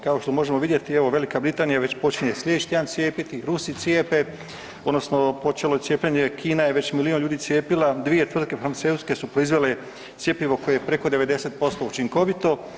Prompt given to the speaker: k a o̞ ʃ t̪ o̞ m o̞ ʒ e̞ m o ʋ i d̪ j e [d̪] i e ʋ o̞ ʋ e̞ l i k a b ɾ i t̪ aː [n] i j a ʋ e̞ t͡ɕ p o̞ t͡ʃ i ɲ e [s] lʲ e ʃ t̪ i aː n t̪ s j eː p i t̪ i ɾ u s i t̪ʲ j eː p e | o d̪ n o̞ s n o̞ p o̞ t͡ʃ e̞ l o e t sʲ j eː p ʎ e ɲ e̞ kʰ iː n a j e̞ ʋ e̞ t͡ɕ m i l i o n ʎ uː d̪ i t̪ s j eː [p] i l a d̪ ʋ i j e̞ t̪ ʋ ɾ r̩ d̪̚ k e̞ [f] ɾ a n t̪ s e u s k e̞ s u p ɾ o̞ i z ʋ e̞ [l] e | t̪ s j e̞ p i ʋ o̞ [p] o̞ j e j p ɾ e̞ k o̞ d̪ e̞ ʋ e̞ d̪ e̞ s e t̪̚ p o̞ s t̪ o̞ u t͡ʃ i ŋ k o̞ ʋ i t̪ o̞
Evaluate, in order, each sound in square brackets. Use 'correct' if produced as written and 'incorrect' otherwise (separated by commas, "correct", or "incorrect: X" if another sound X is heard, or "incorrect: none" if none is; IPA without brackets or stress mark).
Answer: incorrect: t̪, correct, correct, correct, correct, correct, incorrect: k